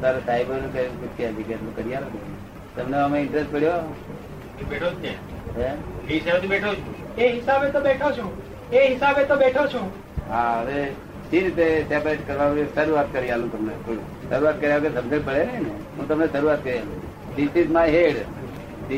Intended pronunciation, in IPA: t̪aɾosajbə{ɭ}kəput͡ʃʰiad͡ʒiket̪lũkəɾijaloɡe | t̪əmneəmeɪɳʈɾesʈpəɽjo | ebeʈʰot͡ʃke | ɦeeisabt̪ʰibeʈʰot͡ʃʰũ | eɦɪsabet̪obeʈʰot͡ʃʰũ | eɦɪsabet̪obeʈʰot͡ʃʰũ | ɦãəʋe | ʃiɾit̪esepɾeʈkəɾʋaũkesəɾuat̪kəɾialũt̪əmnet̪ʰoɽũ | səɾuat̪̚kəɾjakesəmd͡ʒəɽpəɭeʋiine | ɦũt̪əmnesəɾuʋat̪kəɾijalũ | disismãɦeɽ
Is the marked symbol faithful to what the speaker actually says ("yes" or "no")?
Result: no